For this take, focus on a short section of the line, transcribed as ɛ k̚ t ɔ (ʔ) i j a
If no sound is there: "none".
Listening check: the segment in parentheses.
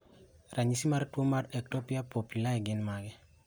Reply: p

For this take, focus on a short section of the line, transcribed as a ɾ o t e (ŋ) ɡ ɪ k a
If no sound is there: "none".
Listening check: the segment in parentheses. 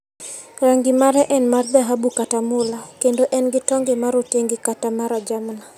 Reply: ŋ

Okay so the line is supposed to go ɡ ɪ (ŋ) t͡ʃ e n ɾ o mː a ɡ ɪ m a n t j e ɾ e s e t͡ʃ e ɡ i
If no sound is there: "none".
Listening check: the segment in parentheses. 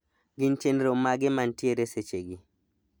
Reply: n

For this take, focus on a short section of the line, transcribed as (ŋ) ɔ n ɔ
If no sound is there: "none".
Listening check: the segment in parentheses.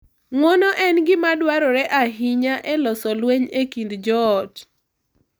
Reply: ŋ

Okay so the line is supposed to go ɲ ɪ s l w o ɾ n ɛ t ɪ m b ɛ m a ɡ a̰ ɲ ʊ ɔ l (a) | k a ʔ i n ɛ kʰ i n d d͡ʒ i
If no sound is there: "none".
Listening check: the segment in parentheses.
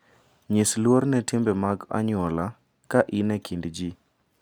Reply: a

